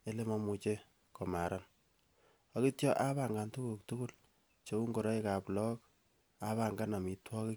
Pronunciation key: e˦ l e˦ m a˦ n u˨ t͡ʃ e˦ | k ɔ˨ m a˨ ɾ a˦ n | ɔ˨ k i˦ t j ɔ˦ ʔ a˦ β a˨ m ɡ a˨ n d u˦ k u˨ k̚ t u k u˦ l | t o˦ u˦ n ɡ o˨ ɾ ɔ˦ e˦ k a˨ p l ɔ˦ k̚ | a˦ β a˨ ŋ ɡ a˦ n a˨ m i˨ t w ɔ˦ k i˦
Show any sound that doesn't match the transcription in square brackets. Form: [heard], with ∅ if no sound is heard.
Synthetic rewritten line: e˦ l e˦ m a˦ [m] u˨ t͡ʃ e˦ | k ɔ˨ m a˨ ɾ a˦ n | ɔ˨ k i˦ t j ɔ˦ ʔ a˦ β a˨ [ŋ] ɡ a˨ n [t] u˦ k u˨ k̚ t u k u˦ l | [t͡ʃ] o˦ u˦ [ŋ] ɡ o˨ ɾ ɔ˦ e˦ k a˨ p l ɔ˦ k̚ | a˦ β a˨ ŋ ɡ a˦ n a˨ m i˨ t w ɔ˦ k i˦